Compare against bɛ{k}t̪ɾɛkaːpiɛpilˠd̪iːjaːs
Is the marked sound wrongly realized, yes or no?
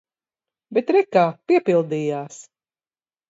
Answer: yes